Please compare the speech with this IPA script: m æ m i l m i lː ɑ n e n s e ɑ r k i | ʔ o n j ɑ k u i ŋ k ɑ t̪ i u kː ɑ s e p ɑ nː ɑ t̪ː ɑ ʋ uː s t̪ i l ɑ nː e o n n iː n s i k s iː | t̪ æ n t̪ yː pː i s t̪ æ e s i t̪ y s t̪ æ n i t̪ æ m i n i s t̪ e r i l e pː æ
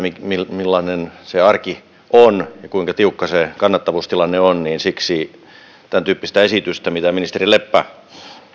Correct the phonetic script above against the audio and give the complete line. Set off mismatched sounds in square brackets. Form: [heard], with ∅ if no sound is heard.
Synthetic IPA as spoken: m [i] m i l m i lː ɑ n e n s e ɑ r k i | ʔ o n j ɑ k u i ŋ k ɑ t̪ i u kː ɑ s e [k] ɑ nː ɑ t̪ː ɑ ʋ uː s t̪ i l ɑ nː e o n n iː n s i k s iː | t̪ æ n t̪ yː pː i s t̪ æ e s i t̪ y s t̪ æ [m] i t̪ æ m i n i s t̪ e r i l e pː æ